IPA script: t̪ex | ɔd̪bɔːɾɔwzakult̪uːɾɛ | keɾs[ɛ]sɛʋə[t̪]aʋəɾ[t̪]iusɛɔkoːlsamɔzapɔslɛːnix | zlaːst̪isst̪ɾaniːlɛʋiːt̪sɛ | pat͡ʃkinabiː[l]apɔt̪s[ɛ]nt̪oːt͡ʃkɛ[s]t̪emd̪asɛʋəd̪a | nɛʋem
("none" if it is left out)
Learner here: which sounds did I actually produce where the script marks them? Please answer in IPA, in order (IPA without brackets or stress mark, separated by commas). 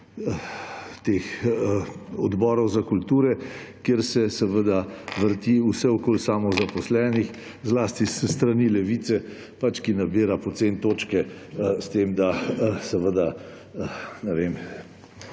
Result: ɛ, d̪, t̪, ɾ, e, s